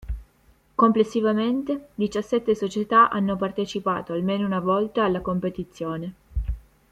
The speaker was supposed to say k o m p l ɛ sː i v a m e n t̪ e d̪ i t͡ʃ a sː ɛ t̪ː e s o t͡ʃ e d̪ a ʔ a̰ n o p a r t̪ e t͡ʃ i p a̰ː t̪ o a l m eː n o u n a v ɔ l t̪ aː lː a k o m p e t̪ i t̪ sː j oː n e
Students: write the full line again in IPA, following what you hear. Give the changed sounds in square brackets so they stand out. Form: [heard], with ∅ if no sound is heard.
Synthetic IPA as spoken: k o m p l [e] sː i v a m e n t̪ e d̪ i t͡ʃ a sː ɛ t̪ː e s o t͡ʃ e [t̪] a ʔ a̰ [nː] o p a r t̪ e t͡ʃ i p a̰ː t̪ o a l m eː n o u n a v ɔ l t̪ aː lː a k o m p e t̪ i t̪ sː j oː n e